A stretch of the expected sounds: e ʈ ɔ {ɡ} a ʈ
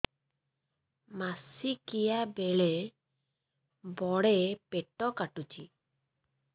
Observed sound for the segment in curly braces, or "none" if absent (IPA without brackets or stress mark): k